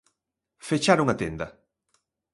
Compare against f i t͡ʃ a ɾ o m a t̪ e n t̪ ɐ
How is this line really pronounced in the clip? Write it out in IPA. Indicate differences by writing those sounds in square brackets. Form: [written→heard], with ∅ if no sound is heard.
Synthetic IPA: f [i→e] t͡ʃ a ɾ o [m→ŋ] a t̪ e n [t̪→d̪] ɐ